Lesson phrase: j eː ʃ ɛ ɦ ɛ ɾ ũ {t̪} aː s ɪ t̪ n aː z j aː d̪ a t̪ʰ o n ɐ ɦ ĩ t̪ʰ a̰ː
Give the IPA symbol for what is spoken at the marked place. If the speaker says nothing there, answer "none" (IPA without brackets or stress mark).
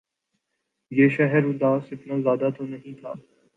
d̪